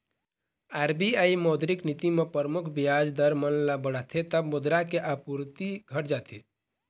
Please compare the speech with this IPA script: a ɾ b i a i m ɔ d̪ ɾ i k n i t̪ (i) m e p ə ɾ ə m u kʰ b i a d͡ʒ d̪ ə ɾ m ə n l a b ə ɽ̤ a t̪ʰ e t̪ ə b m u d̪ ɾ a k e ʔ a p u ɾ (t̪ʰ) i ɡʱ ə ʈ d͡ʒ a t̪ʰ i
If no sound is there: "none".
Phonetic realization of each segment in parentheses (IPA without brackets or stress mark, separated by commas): i, t̪